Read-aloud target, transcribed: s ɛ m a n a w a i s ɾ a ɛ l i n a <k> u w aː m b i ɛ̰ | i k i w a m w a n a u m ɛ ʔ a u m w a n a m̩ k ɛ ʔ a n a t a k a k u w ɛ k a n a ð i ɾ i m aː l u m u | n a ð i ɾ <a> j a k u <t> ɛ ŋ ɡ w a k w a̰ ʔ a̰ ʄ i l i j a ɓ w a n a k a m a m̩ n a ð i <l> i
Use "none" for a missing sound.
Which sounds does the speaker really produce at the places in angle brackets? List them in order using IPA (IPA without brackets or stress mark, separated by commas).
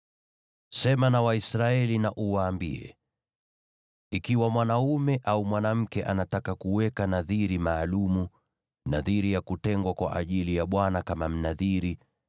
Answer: ʔ, i, t, ɾ